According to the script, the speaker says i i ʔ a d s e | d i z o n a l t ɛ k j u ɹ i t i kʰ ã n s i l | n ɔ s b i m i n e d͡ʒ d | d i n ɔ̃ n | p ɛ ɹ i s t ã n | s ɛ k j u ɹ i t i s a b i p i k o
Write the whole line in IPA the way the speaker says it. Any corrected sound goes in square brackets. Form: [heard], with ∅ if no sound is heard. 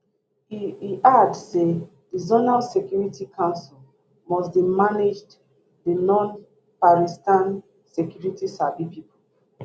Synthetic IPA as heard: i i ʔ a d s e | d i z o n a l [s] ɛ k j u ɹ i t i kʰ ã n s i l | [m] ɔ s b i m [a] n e d͡ʒ d | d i n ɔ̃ n | p [a] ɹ i s t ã n | s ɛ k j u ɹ i t i s a b i p i [p] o